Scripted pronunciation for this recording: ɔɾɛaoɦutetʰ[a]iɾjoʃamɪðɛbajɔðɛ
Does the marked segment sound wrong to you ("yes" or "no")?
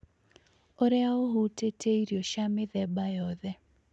yes